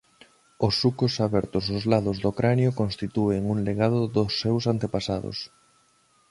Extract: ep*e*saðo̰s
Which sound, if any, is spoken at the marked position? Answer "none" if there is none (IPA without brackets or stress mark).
a